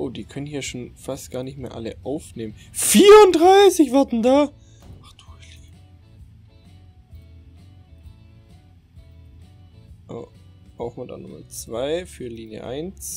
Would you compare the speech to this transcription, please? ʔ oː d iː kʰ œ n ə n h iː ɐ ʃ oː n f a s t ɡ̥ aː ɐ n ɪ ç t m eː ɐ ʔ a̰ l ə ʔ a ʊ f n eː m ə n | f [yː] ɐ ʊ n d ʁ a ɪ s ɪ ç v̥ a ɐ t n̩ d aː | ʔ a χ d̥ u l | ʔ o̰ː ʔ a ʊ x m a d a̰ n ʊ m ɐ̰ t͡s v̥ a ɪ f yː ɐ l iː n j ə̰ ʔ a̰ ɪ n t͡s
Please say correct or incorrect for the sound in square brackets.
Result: incorrect